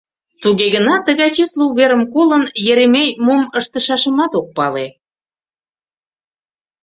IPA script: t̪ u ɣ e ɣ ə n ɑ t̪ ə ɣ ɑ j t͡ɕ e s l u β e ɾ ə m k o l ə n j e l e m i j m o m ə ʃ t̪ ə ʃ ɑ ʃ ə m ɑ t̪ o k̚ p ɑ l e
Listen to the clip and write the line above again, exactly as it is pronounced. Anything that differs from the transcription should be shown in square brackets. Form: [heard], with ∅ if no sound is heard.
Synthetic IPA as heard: t̪ u ɣ e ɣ ə n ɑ t̪ ə ɣ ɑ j t͡ɕ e s l u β e ɾ ə m k o l ə n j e [ɾ] e m [e] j m o m ə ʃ t̪ ə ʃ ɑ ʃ ə m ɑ t̪ o k̚ p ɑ l e